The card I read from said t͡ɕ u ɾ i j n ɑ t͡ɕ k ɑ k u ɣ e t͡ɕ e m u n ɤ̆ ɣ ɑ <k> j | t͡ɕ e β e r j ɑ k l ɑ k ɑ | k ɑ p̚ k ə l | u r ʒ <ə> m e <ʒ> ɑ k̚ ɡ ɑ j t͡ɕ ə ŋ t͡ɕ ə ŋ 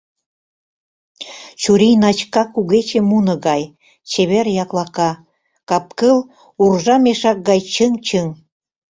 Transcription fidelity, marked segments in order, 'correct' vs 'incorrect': incorrect: none, incorrect: ɑ, incorrect: ʃ

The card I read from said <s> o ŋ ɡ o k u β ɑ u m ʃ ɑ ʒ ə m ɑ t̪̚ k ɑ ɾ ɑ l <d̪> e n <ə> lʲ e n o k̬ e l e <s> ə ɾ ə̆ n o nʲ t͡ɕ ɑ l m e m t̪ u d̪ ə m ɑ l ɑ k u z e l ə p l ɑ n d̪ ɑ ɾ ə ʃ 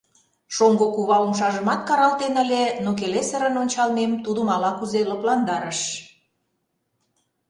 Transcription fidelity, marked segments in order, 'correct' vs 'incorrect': incorrect: ʃ, incorrect: t̪, correct, correct

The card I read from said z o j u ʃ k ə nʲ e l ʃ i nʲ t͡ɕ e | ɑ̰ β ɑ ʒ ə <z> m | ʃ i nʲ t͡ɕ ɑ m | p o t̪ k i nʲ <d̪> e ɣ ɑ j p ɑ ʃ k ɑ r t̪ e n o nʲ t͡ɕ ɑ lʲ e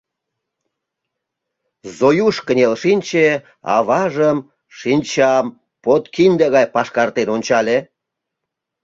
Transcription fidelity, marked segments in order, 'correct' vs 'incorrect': incorrect: none, correct

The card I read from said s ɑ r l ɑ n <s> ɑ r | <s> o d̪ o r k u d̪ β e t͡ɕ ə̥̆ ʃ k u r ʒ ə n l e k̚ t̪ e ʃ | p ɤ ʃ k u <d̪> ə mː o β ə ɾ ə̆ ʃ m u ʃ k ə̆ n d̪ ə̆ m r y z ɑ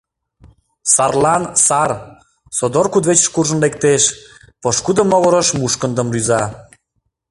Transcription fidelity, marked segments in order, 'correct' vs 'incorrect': correct, correct, correct

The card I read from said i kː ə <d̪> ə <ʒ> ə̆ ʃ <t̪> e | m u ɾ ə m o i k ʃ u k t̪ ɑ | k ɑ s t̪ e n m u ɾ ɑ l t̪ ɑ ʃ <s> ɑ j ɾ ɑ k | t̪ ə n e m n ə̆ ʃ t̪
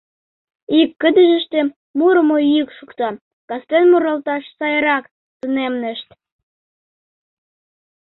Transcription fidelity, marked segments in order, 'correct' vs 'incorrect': correct, correct, correct, correct

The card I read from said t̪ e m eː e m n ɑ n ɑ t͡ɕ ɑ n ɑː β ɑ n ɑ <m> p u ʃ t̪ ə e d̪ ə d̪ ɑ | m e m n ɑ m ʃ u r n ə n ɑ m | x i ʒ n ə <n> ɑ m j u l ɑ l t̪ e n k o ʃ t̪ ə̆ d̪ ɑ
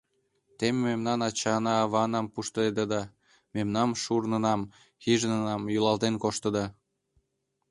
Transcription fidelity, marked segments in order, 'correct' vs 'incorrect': correct, correct

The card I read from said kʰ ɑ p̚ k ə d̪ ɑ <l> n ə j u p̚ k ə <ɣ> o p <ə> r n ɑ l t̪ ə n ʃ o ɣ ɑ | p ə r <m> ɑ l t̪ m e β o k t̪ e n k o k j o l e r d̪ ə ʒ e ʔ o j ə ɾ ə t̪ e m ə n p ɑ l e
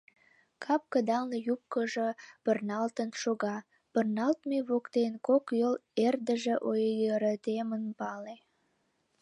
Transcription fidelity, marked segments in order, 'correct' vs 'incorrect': correct, incorrect: ʒ, correct, incorrect: n

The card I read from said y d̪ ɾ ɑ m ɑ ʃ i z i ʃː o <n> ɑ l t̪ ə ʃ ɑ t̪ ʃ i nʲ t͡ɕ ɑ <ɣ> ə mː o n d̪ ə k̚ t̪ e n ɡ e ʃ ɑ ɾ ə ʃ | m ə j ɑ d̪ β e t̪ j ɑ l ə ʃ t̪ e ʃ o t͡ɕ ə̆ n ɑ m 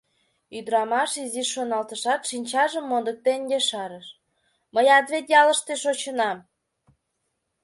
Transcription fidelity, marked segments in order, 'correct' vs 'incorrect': correct, incorrect: ʒ

